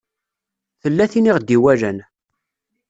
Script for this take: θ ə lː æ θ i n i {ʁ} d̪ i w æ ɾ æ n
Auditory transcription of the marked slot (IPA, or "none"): ʁ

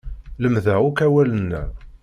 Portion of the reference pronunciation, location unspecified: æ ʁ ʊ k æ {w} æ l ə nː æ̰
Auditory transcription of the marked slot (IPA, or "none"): w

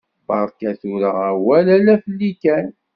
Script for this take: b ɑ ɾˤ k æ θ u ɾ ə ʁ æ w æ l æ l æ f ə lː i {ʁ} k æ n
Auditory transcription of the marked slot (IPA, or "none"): none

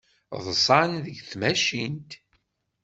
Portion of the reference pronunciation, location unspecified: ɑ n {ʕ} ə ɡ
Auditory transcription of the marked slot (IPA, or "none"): ð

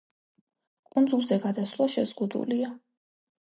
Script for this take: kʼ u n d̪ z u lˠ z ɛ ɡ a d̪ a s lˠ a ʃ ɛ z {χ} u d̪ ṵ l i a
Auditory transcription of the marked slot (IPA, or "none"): ʁ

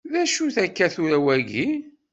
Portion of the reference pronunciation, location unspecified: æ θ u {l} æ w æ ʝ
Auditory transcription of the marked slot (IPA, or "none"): ɾ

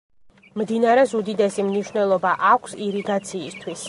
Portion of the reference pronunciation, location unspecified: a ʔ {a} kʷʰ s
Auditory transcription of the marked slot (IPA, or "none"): a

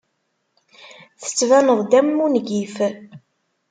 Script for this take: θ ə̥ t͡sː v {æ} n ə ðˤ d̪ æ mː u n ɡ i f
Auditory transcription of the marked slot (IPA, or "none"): æ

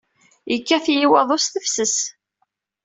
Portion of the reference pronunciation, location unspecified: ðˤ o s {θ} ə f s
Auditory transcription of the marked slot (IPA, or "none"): θ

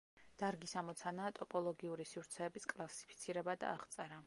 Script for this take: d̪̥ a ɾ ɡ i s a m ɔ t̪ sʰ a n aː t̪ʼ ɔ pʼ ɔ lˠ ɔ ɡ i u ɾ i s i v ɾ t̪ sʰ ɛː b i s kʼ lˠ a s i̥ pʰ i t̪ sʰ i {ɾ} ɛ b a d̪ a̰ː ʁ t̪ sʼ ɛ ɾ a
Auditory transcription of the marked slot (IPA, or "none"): ɾ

